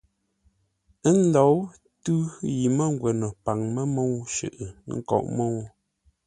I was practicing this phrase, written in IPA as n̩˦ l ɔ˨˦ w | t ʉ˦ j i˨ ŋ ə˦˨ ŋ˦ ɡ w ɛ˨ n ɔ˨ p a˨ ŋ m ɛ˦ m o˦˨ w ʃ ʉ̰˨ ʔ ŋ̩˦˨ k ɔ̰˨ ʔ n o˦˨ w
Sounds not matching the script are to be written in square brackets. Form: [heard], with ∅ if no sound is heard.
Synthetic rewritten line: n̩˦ l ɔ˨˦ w | t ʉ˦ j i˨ [m] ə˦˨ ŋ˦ ɡ w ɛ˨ n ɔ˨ p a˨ ŋ m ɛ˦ m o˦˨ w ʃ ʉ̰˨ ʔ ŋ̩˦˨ k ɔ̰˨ ʔ [m] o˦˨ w